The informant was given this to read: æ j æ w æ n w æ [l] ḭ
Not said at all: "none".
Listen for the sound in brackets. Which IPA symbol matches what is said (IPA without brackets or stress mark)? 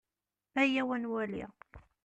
l